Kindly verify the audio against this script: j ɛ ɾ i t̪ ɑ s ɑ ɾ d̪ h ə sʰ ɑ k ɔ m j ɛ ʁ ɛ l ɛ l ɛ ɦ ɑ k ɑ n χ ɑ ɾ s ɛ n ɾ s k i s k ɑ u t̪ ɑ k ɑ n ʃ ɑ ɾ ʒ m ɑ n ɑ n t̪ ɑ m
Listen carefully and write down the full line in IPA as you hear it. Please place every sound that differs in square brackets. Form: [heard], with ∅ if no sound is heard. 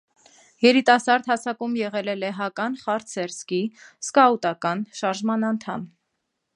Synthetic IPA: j ɛ ɾ i t̪ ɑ s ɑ ɾ d̪ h [ɑ] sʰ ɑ k [u] m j ɛ ʁ ɛ l ɛ l ɛ ɦ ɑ k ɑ n χ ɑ ɾ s ɛ [∅] ɾ s k i s k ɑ u t̪ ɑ k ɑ n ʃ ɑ ɾ ʒ m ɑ n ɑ n [t̪ʰ] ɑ m